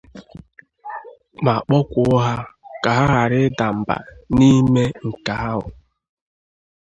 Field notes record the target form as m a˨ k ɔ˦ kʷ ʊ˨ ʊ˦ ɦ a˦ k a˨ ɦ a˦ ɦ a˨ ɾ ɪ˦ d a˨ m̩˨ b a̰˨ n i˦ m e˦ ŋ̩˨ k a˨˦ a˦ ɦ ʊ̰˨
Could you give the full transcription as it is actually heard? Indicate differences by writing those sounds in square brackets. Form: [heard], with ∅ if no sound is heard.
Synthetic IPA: m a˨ [k͡p] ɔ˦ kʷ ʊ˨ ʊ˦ ɦ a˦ k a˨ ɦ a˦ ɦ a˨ ɾ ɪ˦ d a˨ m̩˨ b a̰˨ n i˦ m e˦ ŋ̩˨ k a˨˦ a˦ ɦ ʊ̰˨